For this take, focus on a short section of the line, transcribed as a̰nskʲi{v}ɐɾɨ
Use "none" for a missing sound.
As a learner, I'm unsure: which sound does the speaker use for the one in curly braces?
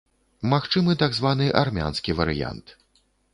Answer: v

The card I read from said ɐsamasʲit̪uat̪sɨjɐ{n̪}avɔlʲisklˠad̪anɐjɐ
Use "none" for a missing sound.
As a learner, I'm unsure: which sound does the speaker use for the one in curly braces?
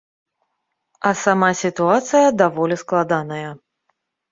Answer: d̪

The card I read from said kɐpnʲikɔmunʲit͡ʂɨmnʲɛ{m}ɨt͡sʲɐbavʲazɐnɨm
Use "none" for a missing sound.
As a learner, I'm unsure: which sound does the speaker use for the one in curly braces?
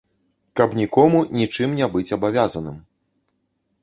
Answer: b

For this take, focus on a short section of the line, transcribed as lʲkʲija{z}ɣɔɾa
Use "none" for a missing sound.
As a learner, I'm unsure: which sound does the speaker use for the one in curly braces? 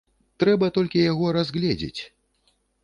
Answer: none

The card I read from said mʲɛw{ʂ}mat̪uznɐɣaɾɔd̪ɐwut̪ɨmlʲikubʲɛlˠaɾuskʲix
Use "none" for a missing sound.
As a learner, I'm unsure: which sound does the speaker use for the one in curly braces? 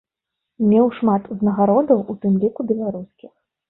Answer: ʂ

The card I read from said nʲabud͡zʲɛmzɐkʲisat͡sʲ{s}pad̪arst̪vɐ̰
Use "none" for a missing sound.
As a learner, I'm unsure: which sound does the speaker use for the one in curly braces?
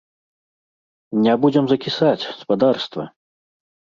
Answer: s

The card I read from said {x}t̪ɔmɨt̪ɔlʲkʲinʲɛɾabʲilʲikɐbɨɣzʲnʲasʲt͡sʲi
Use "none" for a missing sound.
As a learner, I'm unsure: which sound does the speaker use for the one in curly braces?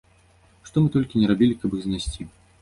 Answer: ʂ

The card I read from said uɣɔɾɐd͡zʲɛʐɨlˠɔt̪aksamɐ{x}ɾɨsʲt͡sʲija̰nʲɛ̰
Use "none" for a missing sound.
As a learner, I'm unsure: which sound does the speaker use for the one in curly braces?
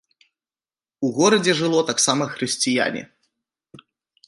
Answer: x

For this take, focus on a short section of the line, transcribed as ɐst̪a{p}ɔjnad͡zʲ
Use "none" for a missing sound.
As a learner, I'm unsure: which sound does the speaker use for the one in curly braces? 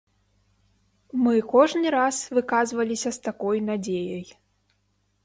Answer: k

